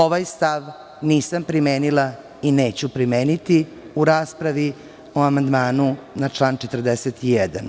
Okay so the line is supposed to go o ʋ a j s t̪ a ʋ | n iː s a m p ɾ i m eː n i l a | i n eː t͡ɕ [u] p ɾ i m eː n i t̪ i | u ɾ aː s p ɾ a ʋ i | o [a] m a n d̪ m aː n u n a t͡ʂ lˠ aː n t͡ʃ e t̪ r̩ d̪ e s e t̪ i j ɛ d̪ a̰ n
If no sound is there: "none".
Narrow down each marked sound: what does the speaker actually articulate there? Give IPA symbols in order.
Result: u, a

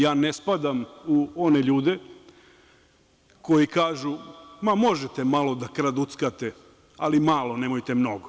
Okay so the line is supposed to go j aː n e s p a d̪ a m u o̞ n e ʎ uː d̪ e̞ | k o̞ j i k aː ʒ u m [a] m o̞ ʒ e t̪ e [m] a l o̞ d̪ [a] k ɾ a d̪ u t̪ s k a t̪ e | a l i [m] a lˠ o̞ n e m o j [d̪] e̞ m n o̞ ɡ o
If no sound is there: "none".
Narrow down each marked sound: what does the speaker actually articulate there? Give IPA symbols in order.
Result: a, m, a, m, t̪

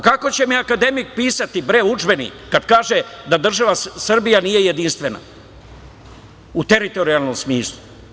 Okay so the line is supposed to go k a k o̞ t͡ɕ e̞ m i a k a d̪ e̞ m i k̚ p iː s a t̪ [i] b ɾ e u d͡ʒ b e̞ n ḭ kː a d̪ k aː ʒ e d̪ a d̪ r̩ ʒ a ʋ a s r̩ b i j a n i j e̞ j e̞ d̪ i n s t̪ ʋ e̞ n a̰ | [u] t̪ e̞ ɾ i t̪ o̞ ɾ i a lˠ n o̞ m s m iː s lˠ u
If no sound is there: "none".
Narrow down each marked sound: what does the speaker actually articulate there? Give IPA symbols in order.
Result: i, u

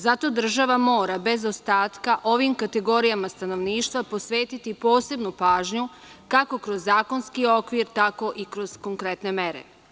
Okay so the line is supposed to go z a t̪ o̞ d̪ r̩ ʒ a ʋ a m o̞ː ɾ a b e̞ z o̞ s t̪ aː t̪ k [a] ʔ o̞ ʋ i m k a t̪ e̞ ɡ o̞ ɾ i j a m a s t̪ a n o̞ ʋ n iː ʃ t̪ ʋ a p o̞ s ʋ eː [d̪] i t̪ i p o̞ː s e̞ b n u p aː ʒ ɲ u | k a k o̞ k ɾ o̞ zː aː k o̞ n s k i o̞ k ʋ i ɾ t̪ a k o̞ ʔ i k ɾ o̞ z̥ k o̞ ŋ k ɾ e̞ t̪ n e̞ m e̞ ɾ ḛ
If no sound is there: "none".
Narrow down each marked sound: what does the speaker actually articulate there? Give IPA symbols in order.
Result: a, t̪

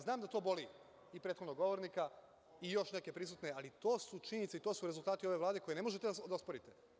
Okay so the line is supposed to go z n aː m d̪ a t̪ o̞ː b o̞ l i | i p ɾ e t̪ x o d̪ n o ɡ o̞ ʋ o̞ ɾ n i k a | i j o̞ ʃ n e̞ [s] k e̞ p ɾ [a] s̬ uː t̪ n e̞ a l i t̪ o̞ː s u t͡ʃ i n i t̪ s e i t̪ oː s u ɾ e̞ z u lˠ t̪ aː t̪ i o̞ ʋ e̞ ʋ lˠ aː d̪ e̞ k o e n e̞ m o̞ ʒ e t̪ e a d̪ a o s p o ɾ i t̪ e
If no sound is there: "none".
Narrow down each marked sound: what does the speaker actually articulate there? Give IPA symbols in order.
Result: none, i

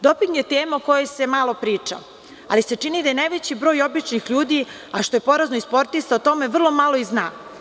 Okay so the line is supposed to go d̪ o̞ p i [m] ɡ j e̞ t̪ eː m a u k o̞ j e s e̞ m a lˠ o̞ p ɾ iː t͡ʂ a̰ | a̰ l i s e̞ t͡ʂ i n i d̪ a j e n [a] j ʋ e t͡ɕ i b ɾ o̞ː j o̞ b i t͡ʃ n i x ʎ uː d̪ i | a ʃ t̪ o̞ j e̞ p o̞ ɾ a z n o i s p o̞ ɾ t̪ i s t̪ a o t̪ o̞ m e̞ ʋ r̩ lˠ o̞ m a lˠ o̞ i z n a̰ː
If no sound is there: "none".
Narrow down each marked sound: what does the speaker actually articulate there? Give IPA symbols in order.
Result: ŋ, a

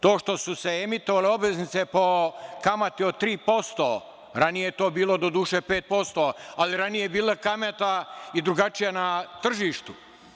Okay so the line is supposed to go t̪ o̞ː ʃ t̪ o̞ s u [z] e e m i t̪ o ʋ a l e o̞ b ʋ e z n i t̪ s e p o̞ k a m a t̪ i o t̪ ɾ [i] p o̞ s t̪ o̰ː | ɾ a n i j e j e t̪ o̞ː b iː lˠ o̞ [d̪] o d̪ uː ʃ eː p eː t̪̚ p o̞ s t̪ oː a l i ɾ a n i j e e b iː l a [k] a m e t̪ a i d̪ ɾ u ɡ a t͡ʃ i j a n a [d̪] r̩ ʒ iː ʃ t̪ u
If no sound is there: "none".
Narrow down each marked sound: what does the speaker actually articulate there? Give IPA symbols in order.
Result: s, iː, d̪, k, t̪

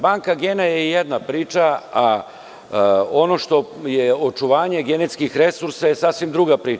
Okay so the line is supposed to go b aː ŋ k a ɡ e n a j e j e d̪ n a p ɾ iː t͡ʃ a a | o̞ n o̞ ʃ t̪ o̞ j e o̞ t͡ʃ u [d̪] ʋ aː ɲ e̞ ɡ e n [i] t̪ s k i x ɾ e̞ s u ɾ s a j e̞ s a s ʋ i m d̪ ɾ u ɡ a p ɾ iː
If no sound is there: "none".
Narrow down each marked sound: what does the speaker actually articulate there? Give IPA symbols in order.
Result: none, e

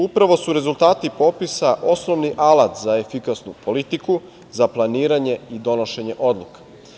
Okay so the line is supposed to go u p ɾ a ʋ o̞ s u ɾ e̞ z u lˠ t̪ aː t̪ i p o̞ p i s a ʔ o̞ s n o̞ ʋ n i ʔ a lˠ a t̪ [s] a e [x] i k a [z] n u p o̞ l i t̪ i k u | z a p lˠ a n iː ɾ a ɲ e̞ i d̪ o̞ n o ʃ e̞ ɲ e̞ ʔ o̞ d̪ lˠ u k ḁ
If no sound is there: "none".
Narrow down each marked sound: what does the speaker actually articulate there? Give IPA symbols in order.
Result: z, f, s

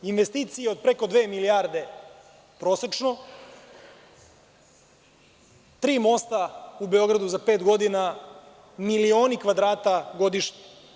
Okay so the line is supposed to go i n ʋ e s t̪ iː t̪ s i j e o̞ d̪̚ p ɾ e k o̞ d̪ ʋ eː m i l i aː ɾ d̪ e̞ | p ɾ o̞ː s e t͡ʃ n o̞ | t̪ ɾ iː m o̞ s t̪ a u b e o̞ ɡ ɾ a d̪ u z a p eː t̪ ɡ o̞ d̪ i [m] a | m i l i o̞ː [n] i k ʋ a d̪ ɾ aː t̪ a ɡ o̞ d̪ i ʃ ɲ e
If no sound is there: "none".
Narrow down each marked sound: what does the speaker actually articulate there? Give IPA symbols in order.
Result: n, n

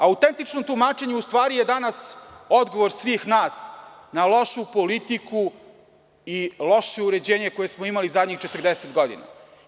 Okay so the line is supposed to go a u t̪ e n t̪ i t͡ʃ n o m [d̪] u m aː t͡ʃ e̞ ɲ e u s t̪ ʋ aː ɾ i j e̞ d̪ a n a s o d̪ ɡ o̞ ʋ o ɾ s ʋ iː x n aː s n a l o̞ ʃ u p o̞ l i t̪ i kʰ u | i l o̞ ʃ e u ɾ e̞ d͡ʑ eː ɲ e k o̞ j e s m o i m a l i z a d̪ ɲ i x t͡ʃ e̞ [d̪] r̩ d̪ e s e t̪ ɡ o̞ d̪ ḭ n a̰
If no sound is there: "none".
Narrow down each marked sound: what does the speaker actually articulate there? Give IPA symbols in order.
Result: t̪, t̪

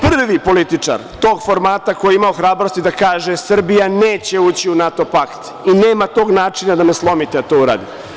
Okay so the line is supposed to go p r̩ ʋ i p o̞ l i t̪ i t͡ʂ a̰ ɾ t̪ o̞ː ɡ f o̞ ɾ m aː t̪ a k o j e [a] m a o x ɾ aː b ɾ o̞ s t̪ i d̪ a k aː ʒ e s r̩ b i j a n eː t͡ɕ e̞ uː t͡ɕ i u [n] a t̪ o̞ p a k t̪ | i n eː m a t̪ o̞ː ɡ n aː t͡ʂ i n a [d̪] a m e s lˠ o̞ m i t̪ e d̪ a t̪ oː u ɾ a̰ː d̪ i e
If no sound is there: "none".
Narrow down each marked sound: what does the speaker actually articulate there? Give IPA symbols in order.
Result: i, n, d̪

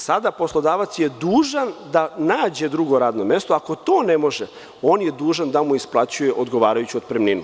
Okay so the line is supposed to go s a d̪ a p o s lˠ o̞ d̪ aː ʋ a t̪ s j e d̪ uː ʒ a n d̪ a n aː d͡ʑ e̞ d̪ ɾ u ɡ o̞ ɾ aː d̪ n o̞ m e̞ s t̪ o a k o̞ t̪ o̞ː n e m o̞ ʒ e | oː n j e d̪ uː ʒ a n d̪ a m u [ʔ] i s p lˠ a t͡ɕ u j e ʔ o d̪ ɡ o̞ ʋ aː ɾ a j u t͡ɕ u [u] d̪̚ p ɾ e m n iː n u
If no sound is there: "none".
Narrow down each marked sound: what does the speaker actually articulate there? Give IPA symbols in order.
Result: none, o

